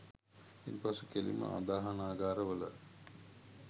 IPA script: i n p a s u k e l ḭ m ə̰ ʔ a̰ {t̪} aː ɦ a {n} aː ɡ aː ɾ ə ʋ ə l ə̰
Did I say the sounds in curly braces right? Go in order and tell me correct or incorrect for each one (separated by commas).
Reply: incorrect, correct